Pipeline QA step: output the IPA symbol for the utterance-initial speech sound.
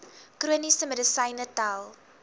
k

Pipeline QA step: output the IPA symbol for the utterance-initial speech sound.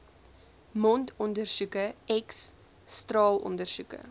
m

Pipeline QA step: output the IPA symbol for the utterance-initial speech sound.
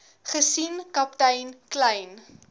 χ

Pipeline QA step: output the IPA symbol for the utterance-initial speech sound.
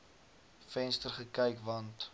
f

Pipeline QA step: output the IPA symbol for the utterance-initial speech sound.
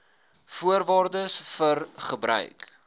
f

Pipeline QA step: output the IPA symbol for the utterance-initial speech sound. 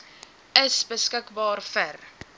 ə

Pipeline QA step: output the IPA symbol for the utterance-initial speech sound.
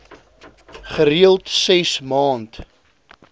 χ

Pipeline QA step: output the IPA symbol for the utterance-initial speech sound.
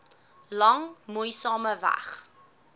l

